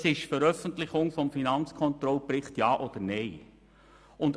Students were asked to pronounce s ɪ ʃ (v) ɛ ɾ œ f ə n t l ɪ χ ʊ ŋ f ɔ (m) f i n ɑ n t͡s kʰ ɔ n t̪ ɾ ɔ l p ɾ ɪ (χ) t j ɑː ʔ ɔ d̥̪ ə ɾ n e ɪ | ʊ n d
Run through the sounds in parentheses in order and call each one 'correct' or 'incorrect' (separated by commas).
incorrect, correct, correct